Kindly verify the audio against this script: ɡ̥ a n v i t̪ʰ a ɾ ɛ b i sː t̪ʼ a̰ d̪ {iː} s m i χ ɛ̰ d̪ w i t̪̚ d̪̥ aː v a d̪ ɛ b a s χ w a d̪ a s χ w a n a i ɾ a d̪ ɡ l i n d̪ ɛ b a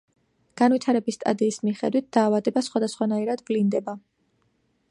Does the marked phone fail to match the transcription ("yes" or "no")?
no